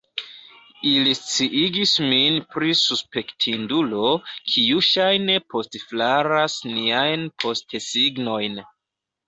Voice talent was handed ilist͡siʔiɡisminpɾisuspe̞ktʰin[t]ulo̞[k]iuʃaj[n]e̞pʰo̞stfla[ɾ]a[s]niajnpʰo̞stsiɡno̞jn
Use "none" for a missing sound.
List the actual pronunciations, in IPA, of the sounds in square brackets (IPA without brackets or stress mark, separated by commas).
d, kʰ, n, ɾ, s